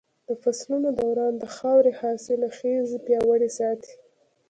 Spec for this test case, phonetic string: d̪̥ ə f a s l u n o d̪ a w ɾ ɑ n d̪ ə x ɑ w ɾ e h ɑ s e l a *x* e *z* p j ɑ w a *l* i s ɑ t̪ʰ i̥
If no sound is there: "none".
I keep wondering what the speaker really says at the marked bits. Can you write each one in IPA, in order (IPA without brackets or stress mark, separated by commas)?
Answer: x, z, ɽ